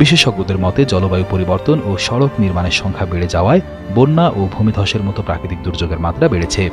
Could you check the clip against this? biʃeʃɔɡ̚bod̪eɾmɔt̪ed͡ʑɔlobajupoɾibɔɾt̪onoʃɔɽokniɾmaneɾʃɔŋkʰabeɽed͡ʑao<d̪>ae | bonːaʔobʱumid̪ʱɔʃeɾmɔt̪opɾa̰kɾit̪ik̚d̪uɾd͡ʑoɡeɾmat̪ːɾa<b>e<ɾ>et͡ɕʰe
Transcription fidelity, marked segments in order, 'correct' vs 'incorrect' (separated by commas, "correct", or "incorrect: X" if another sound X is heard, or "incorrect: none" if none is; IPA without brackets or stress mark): incorrect: none, correct, incorrect: ɽ